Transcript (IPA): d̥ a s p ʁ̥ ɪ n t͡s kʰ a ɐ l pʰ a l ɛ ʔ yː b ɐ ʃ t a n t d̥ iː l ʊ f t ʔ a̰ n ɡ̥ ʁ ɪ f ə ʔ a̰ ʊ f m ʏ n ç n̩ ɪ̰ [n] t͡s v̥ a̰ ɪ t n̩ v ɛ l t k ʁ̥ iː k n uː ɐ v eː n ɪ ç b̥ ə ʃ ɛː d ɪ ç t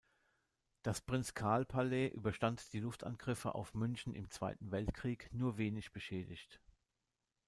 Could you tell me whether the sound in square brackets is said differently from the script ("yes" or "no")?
yes